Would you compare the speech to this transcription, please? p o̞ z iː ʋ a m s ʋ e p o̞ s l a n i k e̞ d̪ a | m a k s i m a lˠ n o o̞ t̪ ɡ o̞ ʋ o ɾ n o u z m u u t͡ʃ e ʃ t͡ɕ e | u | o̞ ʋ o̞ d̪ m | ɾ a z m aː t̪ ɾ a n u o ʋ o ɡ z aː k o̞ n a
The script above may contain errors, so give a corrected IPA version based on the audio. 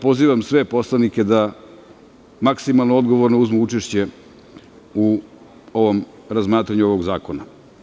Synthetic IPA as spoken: p o̞ z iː ʋ a m s ʋ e p o̞ s l a n i k e̞ d̪ a | m a k s i m a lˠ n o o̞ d̪ ɡ o̞ ʋ o ɾ n o u z m u u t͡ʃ e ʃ t͡ɕ e | u | o̞ ʋ o̞ m | ɾ a z m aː t̪ ɾ a ɲ u o ʋ o ɡ z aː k o̞ n a